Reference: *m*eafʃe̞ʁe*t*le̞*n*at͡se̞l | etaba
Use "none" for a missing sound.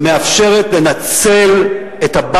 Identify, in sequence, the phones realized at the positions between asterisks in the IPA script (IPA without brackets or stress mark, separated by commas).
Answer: m, t, n